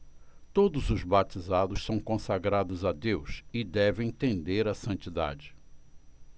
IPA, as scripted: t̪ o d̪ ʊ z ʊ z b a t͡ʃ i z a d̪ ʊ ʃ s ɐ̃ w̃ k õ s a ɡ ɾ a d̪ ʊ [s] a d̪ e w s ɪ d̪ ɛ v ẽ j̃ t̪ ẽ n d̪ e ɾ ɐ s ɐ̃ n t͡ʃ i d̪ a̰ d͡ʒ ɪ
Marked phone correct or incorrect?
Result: incorrect